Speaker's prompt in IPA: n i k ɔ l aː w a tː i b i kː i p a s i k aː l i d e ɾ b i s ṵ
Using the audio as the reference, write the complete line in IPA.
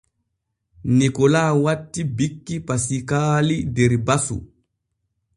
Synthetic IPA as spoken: n i k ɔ l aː w a tː i b i kː i p a s i k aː l i d ɛ ɾ b a s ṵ